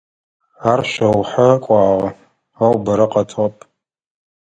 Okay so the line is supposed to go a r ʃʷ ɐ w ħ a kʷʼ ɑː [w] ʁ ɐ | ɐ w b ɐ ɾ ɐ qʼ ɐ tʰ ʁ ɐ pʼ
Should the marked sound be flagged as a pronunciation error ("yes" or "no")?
yes